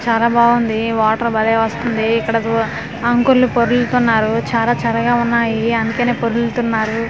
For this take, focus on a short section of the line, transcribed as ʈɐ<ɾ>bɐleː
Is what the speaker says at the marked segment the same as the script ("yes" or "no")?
yes